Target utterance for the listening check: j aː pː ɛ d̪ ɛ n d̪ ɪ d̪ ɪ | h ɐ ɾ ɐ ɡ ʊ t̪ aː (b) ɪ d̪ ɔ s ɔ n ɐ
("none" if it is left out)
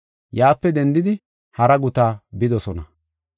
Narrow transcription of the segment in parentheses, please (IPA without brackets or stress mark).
b